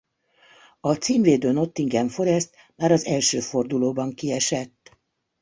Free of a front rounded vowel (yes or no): no